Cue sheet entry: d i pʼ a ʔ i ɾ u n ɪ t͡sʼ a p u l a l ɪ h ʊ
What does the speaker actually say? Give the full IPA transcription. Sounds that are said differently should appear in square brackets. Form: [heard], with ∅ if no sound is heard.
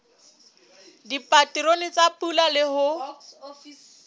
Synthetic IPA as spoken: d i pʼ a [t] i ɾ [o] n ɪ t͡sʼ a p u l a l ɪ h ʊ